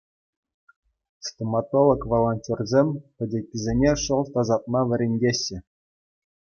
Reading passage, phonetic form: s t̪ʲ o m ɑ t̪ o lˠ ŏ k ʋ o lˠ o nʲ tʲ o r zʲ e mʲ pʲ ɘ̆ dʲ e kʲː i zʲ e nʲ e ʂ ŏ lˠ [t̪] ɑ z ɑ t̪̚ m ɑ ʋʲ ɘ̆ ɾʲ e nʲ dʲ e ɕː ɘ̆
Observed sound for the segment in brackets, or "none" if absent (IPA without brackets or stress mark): t̪